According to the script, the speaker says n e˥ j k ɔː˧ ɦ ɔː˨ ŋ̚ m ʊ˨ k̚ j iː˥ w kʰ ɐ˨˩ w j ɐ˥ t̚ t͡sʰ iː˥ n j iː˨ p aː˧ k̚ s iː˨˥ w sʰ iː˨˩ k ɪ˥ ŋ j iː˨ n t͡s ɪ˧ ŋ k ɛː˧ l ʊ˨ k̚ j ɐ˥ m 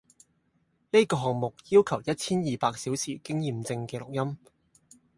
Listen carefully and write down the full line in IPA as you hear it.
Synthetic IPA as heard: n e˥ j k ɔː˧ ɦ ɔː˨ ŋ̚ m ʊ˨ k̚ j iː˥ w kʰ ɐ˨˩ w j ɐ˥ t̚ t͡sʰ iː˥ n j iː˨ p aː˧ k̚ s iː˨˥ w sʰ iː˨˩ k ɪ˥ ŋ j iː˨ m t͡s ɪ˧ ŋ k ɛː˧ l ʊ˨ k̚ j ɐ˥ m